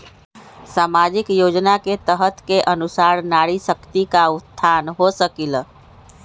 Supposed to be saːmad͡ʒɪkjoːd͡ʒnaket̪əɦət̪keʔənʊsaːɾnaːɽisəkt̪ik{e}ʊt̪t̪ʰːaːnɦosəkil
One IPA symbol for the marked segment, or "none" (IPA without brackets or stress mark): a